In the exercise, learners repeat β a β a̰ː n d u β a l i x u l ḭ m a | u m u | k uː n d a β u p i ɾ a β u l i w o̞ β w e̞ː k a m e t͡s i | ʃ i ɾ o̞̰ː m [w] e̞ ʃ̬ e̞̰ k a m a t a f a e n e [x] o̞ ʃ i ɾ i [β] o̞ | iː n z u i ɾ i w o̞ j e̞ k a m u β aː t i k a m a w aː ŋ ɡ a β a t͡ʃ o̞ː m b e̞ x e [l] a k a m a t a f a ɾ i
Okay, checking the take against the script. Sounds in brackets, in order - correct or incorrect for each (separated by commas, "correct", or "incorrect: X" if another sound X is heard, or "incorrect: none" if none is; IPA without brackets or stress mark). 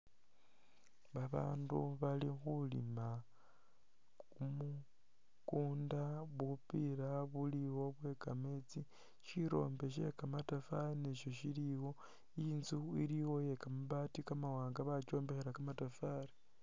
incorrect: b, incorrect: ʃ, incorrect: w, incorrect: ɾ